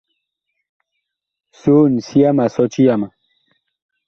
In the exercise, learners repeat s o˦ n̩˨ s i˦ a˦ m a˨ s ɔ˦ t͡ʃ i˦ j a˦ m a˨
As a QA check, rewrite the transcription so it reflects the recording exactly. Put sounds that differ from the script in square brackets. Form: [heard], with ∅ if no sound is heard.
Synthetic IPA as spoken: s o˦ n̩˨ s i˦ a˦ m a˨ s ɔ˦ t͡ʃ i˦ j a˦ m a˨